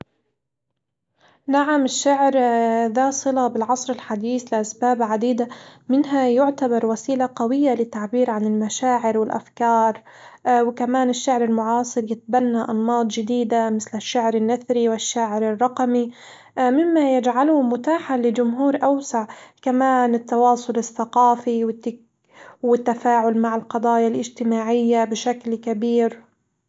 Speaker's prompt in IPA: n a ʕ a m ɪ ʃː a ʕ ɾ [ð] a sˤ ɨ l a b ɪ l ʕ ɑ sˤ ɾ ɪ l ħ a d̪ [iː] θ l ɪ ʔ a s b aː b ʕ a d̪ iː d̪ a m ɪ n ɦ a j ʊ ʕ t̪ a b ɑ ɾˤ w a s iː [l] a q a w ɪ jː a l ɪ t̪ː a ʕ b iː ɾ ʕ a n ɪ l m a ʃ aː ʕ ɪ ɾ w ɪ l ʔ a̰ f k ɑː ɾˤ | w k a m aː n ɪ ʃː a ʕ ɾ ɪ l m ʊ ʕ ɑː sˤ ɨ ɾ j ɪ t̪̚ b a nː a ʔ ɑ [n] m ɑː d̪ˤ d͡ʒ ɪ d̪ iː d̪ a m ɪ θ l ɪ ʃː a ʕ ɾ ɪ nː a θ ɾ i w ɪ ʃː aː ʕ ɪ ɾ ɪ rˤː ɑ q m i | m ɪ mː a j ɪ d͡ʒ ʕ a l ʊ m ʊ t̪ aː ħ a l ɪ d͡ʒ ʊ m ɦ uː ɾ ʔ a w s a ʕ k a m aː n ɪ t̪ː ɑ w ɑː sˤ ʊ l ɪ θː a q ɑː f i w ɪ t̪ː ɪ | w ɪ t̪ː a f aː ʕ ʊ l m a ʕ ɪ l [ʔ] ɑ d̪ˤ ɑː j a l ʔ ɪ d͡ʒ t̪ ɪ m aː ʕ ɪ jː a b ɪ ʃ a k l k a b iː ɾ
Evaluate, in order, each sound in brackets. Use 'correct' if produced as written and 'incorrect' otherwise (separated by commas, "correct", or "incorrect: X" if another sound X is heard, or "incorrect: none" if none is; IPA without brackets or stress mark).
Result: correct, correct, correct, correct, incorrect: q